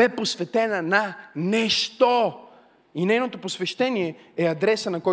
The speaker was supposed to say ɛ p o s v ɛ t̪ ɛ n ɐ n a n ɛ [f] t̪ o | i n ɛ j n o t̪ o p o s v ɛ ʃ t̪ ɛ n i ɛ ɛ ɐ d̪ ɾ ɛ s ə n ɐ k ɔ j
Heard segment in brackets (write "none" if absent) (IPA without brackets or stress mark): ʃ